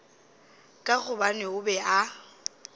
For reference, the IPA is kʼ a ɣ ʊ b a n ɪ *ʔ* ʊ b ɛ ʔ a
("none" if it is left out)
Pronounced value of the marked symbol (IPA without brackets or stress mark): none